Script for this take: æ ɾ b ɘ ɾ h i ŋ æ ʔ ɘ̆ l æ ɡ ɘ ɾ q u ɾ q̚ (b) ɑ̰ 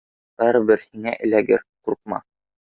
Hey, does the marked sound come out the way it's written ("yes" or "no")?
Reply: no